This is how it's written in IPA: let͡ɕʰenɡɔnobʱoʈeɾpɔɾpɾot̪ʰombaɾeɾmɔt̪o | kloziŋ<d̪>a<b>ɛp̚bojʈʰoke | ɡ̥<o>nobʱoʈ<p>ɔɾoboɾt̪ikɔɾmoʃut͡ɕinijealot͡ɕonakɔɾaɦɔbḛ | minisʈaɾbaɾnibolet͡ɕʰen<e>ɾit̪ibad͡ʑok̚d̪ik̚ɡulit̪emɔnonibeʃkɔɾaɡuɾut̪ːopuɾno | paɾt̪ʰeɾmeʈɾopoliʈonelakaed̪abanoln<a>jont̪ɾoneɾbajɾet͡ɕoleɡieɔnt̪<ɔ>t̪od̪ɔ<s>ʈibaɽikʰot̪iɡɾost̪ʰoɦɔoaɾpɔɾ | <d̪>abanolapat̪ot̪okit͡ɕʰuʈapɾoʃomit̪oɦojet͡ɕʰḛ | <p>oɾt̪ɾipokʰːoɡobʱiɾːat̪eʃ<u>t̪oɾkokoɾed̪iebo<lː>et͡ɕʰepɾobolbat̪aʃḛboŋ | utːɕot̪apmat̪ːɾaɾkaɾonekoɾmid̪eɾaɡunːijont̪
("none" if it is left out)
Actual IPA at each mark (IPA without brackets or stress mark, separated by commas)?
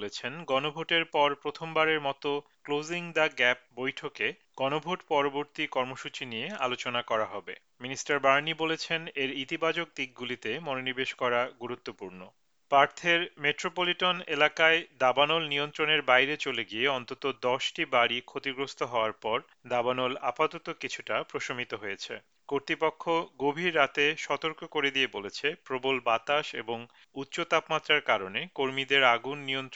d̪, ɡ, ɔ, p, e, i, o, ʃ, d̪, k, ɔ, l